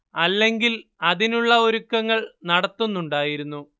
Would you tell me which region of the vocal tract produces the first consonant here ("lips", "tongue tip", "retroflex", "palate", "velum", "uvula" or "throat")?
tongue tip